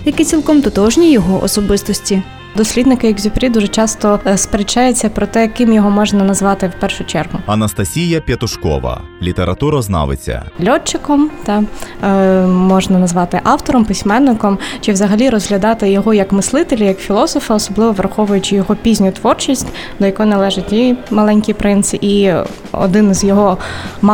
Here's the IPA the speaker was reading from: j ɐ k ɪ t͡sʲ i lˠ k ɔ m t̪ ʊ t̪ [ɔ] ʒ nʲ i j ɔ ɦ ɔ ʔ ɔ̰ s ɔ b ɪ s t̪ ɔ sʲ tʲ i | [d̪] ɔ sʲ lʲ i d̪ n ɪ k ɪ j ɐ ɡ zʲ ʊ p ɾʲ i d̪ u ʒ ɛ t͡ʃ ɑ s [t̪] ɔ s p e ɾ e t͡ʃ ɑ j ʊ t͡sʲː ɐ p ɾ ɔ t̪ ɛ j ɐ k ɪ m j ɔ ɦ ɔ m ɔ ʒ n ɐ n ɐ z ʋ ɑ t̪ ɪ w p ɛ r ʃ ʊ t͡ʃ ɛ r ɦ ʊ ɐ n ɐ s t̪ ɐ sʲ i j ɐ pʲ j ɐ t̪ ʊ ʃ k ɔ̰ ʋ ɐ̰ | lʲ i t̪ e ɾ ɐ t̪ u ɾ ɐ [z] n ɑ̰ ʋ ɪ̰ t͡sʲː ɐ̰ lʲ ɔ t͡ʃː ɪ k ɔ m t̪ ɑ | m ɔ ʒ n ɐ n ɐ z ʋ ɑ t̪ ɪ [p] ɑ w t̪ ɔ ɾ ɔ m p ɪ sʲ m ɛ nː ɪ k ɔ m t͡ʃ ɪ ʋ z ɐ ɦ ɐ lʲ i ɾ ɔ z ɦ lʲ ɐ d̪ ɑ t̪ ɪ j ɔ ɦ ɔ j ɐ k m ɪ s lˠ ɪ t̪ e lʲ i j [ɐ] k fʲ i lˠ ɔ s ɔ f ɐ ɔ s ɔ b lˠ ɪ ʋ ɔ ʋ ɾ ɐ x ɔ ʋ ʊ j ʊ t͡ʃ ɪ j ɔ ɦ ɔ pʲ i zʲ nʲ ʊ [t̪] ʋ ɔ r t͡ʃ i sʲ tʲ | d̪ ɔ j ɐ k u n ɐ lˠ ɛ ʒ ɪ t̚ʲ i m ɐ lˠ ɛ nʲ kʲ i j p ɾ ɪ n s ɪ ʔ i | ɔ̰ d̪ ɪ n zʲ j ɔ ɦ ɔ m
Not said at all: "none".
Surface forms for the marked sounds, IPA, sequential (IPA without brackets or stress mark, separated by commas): ɔ, d̪, t̪, z, ʔ, ɐ, t̪